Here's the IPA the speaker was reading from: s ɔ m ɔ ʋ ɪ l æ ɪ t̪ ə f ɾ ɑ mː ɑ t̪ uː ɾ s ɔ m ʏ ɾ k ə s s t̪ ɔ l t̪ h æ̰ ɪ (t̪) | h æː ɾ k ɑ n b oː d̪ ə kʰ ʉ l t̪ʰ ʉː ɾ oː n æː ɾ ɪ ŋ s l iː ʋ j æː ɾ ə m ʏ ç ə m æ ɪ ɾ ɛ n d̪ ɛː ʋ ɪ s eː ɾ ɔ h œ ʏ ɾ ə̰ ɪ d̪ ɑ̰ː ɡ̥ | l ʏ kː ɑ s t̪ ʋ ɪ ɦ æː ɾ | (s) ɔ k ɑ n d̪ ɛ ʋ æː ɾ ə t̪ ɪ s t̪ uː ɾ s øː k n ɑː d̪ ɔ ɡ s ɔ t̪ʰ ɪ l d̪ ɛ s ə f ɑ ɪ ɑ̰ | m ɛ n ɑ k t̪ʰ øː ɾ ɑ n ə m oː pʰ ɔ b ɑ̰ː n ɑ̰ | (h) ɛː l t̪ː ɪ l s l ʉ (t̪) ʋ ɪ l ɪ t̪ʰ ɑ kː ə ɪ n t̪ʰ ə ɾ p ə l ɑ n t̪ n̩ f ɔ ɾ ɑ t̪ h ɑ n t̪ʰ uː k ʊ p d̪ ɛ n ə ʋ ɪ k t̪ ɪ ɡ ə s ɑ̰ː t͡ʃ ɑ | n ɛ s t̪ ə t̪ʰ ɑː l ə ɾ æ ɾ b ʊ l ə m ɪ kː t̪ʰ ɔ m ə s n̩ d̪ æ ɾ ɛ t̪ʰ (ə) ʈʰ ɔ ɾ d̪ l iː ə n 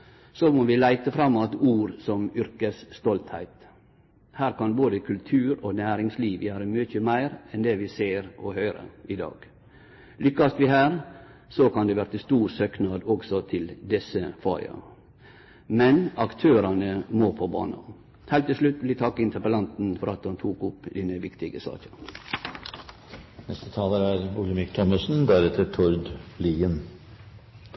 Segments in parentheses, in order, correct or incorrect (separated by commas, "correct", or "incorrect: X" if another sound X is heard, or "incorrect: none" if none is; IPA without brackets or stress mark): correct, correct, correct, correct, correct